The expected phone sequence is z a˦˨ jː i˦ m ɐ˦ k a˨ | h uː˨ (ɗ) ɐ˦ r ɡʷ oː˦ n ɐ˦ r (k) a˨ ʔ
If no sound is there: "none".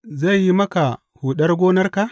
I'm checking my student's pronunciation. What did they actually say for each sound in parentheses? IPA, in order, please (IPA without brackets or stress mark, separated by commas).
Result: ɗ, k